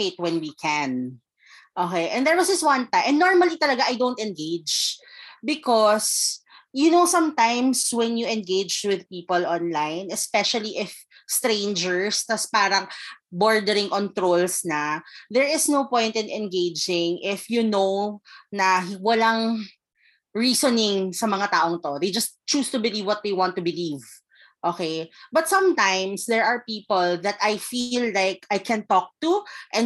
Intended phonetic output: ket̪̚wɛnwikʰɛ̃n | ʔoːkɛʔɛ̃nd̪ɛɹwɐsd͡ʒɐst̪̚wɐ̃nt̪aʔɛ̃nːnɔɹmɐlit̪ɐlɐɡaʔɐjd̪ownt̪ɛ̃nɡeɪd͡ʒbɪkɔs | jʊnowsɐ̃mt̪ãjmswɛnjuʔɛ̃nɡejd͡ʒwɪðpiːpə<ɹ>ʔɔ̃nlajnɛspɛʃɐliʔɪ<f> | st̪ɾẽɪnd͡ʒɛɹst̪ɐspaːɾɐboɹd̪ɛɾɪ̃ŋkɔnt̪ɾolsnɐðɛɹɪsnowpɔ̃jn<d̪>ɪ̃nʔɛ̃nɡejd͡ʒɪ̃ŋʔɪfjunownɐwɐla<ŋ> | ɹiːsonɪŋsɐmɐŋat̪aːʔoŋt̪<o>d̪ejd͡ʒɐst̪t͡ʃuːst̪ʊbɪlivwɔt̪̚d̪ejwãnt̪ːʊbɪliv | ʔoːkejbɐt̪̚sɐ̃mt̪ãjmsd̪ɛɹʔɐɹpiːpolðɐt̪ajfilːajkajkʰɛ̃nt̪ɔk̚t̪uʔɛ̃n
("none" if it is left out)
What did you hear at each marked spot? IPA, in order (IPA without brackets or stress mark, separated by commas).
l, f, t̪, ŋ, o